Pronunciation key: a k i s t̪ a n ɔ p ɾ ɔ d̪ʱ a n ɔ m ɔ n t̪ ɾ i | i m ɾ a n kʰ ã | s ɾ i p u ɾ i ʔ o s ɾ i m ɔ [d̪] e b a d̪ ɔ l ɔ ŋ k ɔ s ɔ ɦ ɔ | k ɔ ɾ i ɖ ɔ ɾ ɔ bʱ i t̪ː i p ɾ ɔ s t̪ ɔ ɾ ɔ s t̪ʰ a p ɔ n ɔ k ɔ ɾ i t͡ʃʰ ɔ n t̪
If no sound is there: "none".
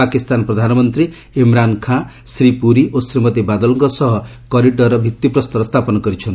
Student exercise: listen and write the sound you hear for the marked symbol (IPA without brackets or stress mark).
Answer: t̪